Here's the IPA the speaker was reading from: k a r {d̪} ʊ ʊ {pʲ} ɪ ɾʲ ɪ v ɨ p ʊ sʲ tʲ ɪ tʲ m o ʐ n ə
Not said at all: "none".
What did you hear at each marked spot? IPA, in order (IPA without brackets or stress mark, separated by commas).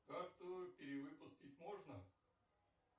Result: t̪, pʲ